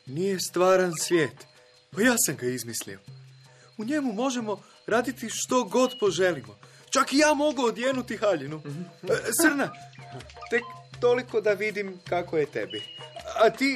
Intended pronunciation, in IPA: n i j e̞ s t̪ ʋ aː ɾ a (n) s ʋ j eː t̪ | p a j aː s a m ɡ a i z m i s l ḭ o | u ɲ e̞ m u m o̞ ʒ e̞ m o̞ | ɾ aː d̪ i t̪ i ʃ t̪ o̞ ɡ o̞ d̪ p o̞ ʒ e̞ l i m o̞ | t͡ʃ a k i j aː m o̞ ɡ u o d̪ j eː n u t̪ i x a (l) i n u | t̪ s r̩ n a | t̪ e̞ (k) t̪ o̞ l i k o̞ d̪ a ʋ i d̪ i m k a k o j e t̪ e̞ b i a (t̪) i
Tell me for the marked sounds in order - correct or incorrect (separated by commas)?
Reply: correct, incorrect, correct, correct